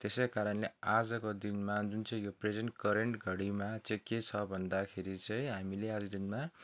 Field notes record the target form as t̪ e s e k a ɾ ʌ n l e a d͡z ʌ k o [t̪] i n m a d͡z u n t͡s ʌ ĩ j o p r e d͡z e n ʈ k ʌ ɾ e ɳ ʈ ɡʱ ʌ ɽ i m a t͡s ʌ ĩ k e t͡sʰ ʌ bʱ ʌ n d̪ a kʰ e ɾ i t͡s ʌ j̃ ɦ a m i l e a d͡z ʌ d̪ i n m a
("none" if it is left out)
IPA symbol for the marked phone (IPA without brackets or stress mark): d̪